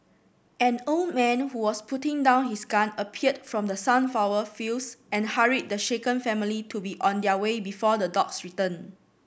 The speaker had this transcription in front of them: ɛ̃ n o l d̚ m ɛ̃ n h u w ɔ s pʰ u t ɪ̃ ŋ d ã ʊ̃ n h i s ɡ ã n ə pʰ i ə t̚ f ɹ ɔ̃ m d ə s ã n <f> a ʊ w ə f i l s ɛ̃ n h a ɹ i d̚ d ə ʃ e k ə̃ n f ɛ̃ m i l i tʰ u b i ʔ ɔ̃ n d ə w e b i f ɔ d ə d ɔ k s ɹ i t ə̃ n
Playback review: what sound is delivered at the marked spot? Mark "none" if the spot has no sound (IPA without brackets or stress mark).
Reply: f